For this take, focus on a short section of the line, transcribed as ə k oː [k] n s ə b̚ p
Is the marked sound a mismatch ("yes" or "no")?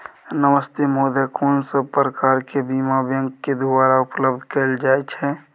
yes